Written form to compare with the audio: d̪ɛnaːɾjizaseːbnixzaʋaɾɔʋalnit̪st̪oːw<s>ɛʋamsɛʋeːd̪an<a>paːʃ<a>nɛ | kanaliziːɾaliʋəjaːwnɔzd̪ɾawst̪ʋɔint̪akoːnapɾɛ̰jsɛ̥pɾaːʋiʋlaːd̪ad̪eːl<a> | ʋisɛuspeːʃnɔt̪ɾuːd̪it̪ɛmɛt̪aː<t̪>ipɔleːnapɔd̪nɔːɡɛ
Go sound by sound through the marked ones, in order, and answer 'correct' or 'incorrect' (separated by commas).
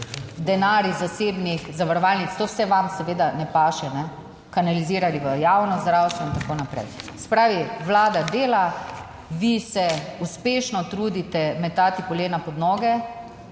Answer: correct, incorrect, incorrect, correct, correct